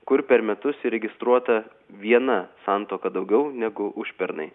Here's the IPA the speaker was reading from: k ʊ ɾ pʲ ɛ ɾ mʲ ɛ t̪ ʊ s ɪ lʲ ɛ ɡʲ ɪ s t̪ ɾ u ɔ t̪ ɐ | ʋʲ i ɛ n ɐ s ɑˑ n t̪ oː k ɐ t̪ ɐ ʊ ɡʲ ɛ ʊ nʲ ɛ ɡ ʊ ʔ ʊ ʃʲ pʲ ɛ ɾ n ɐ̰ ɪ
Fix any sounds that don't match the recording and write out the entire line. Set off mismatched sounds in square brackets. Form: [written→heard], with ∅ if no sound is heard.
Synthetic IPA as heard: k ʊ ɾ pʲ ɛ ɾ mʲ ɛ t̪ ʊ s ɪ [lʲ→ɾʲ] ɛ ɡʲ ɪ s t̪ ɾ u ɔ t̪ ɐ | ʋʲ i ɛ n ɐ s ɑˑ n t̪ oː k ɐ [t̪→d̪] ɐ ʊ ɡʲ ɛ ʊ nʲ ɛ ɡ ʊ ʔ ʊ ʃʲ pʲ ɛ ɾ n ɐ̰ ɪ